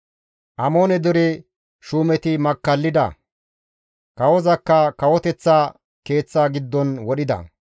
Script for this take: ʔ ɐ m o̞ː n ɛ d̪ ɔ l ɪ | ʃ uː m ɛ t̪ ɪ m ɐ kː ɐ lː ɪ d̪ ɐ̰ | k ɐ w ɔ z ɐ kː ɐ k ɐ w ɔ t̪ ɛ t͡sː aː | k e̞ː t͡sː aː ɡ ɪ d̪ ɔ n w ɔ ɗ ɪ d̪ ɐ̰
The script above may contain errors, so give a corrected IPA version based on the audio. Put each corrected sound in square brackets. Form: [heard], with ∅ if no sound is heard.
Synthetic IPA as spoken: ʔ ɐ m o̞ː n ɛ d̪ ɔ [ɾ] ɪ | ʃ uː m ɛ t̪ ɪ m ɐ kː ɐ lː ɪ d̪ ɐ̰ | k ɐ w ɔ z ɐ kː ɐ k ɐ w ɔ t̪ ɛ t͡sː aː | k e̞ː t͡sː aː ɡ ɪ [d̪ː] ɔ n w ɔ ɗ ɪ d̪ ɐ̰